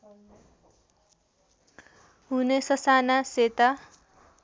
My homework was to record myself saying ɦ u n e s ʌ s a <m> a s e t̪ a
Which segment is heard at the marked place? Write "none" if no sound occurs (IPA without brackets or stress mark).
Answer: n